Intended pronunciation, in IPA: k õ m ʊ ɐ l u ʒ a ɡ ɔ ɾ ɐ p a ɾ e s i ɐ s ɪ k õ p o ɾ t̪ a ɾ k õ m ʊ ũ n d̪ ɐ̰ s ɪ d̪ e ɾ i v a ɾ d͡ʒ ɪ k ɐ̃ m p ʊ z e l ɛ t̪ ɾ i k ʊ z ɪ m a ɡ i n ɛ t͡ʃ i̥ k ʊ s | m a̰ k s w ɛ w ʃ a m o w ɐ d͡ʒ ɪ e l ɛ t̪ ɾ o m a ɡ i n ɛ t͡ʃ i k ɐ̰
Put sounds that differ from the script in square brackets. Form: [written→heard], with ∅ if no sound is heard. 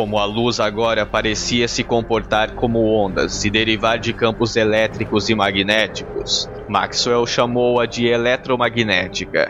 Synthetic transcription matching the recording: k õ m ʊ ɐ l u [ʒ→z] a ɡ ɔ ɾ ɐ p a ɾ e s i ɐ s ɪ k õ p o ɾ t̪ a ɾ k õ m ʊ [ũ→õ] n d̪ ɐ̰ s ɪ d̪ e ɾ i v a ɾ d͡ʒ ɪ k ɐ̃ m p ʊ z e l ɛ t̪ ɾ i k ʊ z ɪ m a ɡ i n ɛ t͡ʃ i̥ k ʊ s | m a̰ k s w ɛ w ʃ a m o w ɐ d͡ʒ ɪ e l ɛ t̪ ɾ o m a ɡ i n ɛ t͡ʃ i k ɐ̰